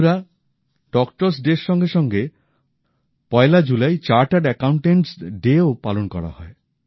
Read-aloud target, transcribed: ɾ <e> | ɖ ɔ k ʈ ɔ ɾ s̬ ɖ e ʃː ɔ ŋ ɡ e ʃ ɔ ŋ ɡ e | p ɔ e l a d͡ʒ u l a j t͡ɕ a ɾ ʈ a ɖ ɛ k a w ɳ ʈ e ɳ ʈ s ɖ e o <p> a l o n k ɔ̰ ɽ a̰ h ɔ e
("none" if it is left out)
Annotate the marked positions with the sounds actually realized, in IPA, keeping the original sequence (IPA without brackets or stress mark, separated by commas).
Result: a, p